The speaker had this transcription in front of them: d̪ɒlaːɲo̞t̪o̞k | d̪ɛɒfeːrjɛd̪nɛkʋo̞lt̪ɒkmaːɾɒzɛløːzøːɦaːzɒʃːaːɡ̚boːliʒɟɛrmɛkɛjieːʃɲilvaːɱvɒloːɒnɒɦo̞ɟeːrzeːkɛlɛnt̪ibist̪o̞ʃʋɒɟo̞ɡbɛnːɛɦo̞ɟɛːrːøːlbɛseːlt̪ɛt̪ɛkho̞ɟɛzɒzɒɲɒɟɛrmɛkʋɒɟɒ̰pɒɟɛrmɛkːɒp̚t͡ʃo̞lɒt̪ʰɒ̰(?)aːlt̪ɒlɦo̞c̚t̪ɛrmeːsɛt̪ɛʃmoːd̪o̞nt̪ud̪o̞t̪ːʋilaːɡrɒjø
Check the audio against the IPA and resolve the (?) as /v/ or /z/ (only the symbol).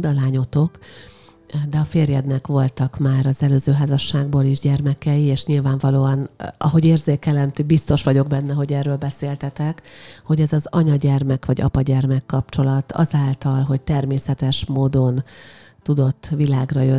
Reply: z